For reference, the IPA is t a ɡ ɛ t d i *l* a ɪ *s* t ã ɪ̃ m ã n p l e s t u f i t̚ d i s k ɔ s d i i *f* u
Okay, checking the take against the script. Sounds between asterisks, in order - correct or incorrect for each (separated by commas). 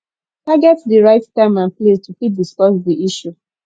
incorrect, incorrect, incorrect